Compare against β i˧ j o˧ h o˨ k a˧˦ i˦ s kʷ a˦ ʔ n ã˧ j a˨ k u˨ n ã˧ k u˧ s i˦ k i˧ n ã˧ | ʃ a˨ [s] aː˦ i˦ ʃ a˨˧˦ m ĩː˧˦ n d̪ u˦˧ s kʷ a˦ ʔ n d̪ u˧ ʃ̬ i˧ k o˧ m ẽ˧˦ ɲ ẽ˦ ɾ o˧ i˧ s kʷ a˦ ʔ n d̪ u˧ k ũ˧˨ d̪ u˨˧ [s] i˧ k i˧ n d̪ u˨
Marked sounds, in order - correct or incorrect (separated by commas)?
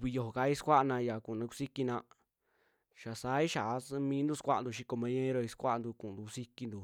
correct, correct